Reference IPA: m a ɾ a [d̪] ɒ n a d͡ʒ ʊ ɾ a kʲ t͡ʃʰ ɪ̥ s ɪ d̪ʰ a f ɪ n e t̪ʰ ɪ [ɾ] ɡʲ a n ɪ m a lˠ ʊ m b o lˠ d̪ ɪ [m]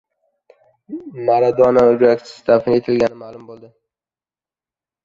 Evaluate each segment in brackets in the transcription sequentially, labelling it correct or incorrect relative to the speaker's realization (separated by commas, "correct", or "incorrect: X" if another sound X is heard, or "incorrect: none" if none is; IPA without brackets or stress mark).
correct, incorrect: l, incorrect: none